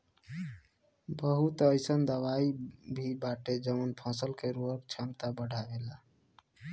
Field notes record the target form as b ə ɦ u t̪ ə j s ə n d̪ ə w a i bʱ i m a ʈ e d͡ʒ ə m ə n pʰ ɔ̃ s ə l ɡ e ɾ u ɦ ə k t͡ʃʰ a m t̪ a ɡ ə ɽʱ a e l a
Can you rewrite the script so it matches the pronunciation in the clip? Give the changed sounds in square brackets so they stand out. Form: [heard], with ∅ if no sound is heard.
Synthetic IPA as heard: b ə ɦ u t̪ ə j s ə n d̪ ə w a i bʱ i [b] a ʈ e d͡ʒ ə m ə n pʰ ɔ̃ s ə l [k] e ɾ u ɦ ə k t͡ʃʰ a m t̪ a [b] ə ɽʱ a e l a